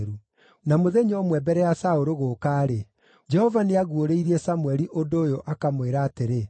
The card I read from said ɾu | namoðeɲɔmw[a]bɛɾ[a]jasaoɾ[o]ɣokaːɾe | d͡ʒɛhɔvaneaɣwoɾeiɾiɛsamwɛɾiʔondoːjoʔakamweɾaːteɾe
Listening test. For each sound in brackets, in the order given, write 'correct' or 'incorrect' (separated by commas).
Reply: incorrect, incorrect, correct